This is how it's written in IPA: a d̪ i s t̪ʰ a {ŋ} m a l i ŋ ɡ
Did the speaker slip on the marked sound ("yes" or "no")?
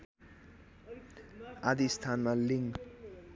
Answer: yes